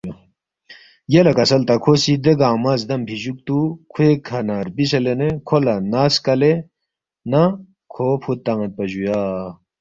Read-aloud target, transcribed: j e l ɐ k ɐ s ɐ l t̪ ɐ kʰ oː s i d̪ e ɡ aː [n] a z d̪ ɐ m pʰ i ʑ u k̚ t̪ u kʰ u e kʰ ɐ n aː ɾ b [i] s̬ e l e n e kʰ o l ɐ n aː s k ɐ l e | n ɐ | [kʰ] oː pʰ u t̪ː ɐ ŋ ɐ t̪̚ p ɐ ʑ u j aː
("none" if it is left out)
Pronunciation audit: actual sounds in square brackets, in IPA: m, i, kʰ

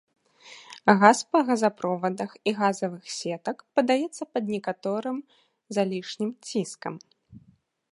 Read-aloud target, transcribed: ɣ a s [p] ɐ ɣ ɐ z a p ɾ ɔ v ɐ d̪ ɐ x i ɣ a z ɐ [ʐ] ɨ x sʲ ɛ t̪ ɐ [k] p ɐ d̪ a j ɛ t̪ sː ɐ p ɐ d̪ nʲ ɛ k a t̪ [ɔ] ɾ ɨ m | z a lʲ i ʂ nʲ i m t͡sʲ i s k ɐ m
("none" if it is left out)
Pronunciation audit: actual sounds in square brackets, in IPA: p, v, k, ɔ

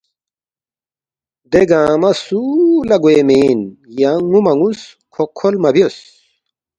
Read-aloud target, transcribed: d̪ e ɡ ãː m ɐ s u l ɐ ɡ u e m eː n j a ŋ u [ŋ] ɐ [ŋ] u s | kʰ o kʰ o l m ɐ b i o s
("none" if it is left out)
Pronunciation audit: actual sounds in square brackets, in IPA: m, ŋ

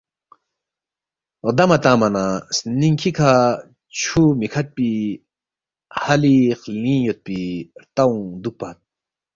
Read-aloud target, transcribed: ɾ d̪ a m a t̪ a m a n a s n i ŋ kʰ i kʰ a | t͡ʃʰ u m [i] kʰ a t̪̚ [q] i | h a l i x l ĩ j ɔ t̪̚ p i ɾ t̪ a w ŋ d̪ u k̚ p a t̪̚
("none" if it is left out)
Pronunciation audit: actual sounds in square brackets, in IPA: i, p

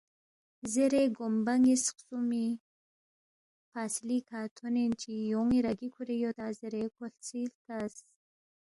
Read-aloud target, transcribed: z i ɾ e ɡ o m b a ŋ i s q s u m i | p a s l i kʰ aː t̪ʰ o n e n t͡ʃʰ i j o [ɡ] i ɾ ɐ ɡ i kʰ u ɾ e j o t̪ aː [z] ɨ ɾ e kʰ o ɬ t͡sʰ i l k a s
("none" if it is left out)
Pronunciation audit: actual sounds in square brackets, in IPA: ŋ, z

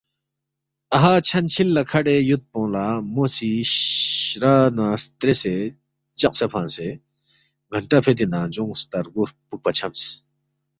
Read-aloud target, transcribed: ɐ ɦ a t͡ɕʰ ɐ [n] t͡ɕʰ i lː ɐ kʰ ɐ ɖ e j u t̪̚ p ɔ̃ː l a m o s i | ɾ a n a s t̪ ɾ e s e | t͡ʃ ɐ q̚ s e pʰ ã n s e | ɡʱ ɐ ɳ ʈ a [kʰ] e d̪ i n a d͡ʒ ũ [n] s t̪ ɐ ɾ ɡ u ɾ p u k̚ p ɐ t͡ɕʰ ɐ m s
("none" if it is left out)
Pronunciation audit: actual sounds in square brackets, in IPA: n, pʰ, ŋ

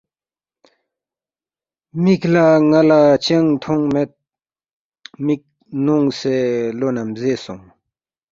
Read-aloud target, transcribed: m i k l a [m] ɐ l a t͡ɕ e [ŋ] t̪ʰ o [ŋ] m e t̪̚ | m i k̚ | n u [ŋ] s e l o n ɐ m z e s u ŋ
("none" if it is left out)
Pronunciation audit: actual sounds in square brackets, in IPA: ŋ, ŋ, ŋ, ŋ

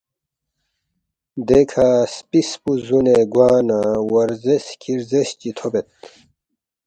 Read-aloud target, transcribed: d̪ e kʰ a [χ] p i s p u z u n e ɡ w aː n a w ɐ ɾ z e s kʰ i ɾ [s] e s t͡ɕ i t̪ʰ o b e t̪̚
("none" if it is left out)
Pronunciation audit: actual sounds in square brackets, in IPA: s, z

